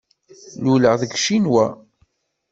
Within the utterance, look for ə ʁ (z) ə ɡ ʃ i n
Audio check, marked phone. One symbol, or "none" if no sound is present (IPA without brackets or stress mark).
ð